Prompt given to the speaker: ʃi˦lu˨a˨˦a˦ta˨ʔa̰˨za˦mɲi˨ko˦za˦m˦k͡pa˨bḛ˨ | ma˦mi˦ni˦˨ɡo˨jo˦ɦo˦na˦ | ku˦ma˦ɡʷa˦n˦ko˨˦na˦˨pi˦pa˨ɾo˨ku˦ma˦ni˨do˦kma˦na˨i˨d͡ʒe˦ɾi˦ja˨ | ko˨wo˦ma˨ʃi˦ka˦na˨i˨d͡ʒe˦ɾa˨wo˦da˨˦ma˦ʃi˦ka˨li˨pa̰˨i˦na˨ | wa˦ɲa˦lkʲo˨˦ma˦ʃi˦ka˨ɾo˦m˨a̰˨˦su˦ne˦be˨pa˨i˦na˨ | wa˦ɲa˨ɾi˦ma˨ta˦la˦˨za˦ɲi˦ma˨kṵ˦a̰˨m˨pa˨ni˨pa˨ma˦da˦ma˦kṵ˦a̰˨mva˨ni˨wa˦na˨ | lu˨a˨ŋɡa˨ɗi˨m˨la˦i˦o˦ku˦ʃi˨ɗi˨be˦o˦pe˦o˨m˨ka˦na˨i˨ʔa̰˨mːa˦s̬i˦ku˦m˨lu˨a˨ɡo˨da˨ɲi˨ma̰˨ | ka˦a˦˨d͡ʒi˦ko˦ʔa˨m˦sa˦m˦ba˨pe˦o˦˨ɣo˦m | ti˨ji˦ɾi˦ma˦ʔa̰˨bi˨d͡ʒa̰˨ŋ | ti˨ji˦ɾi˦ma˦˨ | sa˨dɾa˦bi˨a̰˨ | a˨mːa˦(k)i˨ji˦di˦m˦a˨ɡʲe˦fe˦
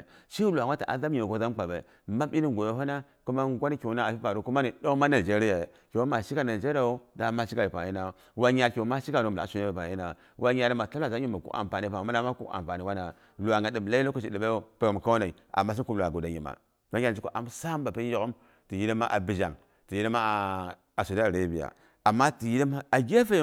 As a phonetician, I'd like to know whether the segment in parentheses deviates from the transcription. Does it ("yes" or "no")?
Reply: yes